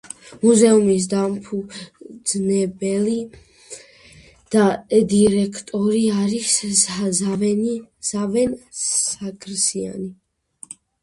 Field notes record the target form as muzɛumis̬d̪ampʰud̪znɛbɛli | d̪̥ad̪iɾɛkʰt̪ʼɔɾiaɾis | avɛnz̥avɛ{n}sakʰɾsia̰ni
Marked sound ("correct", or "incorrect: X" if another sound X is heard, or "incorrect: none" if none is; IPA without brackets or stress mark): correct